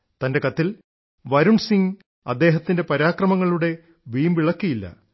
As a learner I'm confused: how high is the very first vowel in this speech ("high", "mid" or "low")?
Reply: low